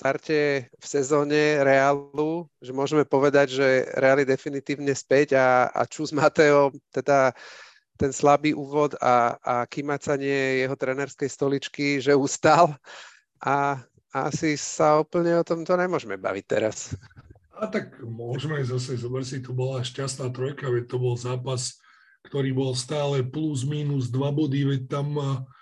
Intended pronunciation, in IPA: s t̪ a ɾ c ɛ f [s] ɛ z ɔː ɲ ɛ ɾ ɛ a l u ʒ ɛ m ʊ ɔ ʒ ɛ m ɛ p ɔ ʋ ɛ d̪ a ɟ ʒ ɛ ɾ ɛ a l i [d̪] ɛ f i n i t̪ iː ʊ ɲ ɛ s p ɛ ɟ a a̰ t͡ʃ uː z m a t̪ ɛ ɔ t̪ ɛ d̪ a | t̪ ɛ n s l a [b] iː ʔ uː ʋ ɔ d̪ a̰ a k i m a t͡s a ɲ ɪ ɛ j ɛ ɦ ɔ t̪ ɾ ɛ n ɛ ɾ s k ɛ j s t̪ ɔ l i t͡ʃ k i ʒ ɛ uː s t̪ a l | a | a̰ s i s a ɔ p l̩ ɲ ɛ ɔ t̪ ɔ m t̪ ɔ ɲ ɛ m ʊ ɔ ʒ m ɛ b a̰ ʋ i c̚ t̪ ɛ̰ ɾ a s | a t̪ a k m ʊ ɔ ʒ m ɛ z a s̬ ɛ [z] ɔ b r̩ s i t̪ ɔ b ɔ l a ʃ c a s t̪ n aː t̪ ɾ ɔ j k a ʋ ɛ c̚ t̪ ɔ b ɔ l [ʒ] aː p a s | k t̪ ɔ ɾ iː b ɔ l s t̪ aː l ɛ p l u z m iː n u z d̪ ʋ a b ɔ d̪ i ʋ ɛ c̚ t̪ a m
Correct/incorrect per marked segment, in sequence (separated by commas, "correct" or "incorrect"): correct, correct, correct, correct, incorrect